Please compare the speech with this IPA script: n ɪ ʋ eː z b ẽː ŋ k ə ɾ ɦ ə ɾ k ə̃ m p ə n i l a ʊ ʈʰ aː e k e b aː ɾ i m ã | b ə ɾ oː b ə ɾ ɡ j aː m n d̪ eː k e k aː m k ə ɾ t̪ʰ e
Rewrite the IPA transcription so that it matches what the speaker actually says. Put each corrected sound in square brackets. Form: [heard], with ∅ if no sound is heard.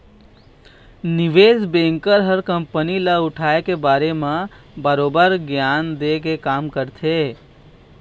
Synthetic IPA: n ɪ ʋ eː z b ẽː ŋ k ə ɾ ɦ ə ɾ k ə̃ m p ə n i l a ʊ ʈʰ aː e k e b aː ɾ [e] m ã | b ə ɾ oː b ə ɾ ɡ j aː [∅] n d̪ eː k e k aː m k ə ɾ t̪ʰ e